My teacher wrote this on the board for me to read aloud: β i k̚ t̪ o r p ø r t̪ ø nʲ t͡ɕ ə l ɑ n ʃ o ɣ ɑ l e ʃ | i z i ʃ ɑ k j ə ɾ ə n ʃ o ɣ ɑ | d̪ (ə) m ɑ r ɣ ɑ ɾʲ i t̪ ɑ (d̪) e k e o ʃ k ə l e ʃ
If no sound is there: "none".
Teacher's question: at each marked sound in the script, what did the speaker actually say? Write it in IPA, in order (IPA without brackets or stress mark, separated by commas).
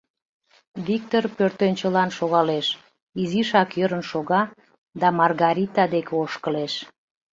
ɑ, d̪